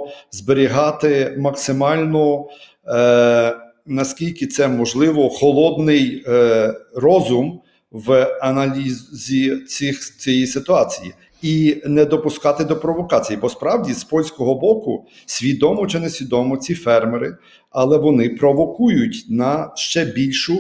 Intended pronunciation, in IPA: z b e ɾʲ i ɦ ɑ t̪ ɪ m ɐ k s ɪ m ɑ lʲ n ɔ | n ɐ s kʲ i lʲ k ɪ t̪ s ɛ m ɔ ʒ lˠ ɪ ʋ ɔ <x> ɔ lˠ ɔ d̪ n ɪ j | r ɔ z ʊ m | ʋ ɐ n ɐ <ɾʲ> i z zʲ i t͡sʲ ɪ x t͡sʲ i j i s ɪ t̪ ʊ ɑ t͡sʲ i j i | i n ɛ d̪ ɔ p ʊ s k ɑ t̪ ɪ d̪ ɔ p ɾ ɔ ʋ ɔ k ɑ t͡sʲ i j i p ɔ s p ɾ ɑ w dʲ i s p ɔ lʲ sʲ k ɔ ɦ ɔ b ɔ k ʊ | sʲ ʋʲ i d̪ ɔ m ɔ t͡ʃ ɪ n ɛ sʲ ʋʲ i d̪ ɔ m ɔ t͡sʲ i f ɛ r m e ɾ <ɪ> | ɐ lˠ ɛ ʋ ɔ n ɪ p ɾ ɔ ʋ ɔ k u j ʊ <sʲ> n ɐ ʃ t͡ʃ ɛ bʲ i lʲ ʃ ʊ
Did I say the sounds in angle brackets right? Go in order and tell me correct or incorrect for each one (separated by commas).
correct, incorrect, correct, incorrect